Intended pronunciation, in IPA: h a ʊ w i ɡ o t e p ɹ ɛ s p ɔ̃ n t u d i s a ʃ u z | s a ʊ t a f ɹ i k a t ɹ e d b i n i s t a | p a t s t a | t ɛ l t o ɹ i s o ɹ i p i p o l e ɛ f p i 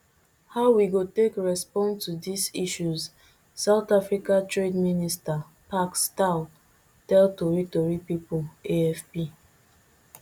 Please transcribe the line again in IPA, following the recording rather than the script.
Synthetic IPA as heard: h a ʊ w i ɡ o t e k ɹ ɛ s p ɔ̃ n t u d i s i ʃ u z | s a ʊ t a f ɹ i k a t ɹ e d m i n i s t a | p a k s t a | t ɛ l t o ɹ i t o ɹ i p i p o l e ɛ f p i